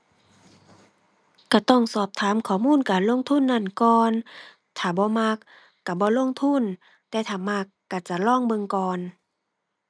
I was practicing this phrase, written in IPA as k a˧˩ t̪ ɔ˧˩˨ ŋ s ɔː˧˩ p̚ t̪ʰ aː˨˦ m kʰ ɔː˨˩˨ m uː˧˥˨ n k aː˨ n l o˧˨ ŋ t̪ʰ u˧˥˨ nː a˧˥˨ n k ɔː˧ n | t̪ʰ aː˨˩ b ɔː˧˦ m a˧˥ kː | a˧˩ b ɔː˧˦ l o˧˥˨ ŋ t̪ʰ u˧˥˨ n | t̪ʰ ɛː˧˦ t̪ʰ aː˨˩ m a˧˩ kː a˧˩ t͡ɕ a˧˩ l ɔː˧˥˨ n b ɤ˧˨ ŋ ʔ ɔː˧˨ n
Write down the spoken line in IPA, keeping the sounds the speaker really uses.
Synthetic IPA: k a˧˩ t̪ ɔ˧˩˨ ŋ s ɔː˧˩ p̚ t̪ʰ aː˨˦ m kʰ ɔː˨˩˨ m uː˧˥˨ n k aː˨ n l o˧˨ ŋ t̪ʰ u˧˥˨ nː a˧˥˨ n k ɔː˧ n | t̪ʰ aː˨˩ b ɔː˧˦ m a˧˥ kː | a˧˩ b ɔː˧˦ l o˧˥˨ ŋ t̪ʰ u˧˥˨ n | t̪ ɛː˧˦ t̪ʰ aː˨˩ m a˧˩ kː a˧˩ t͡ɕ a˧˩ l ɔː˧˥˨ ŋ b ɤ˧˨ ŋ k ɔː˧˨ n